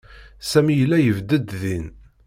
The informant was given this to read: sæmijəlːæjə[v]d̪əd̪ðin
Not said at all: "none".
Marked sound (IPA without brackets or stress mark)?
v